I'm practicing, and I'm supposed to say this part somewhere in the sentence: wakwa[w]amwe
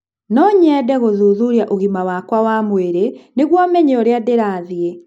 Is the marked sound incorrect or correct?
correct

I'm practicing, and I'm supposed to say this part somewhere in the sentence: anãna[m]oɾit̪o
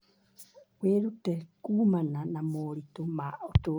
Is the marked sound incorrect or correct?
correct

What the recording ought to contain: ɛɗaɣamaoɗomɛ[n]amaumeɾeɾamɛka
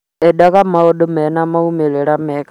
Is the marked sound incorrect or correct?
correct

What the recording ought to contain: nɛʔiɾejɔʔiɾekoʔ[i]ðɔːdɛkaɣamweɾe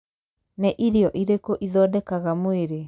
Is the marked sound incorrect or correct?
correct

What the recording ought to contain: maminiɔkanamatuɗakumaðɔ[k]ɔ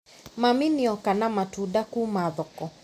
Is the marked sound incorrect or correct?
correct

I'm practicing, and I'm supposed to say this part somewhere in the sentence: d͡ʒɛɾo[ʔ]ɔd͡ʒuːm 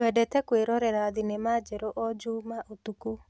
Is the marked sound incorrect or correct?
correct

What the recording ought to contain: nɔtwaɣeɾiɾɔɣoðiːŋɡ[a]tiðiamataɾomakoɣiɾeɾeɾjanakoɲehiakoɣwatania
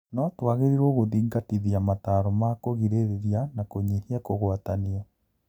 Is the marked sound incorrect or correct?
correct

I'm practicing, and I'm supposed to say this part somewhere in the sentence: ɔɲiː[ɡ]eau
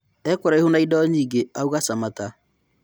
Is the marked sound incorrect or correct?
correct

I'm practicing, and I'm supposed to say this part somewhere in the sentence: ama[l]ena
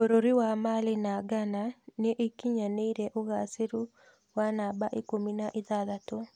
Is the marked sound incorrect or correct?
correct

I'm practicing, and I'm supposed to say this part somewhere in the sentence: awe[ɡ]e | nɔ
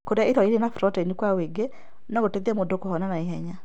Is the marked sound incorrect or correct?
correct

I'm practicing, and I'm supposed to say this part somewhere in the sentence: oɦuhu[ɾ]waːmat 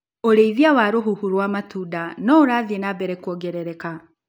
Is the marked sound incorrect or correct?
correct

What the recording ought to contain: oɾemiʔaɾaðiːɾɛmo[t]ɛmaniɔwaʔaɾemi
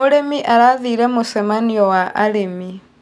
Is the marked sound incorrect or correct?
incorrect: s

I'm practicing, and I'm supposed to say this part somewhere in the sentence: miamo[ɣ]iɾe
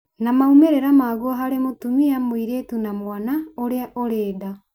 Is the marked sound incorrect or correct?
incorrect: none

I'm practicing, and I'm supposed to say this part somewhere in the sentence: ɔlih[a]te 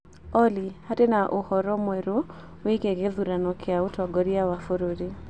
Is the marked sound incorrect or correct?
correct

